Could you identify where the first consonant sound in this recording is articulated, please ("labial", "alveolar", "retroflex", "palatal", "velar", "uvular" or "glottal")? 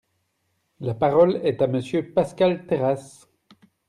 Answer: alveolar